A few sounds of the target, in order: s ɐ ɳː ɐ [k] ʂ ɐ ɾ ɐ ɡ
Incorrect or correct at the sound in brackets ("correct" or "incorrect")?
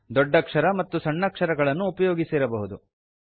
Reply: correct